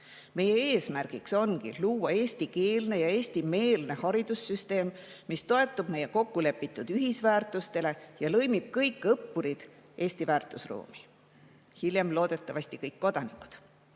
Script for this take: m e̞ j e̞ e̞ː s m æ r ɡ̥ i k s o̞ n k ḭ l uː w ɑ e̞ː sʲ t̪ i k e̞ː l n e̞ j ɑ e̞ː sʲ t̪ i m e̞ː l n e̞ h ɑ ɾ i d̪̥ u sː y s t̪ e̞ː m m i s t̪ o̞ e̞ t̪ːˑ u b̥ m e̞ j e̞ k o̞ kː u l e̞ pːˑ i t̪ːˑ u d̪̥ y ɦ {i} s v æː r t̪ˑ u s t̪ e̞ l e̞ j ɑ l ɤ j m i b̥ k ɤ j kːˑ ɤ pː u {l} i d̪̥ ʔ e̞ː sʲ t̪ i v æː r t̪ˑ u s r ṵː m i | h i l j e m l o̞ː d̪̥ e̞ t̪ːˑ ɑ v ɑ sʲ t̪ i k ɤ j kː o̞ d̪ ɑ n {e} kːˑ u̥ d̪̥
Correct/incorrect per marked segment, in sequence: correct, incorrect: ɾ, incorrect: i

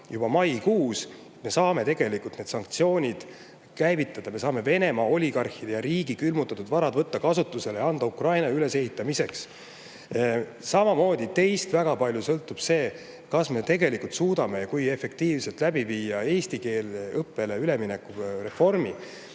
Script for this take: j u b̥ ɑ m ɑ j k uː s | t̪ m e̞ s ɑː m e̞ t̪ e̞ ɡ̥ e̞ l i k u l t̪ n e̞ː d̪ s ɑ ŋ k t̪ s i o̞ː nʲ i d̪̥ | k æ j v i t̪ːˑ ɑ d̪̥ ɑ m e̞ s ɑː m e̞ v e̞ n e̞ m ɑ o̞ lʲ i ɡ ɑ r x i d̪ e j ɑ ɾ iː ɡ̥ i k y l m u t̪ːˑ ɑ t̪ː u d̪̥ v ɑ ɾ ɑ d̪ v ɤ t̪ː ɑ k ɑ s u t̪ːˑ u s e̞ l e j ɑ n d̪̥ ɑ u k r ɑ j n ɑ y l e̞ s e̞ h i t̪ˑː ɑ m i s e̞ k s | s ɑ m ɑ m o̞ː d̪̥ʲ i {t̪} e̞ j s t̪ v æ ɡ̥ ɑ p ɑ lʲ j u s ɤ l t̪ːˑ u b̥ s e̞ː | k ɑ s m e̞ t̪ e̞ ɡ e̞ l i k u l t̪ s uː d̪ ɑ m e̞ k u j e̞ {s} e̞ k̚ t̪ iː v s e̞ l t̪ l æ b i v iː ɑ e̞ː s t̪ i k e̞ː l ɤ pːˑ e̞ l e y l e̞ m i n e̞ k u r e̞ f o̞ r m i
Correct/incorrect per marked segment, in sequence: correct, incorrect: f

